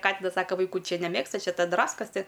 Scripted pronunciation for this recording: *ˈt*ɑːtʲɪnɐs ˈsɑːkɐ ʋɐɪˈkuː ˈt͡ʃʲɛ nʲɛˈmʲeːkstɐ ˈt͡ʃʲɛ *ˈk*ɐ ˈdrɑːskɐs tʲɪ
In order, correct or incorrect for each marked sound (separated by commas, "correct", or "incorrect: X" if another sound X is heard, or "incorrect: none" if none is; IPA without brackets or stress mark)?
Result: incorrect: k, incorrect: t